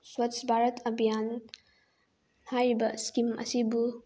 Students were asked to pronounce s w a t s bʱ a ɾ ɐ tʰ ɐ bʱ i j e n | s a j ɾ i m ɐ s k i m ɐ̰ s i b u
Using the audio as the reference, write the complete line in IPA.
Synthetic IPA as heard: s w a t s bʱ a ɾ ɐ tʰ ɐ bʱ i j a n | h a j ɾ i b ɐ s k i m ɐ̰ s i b u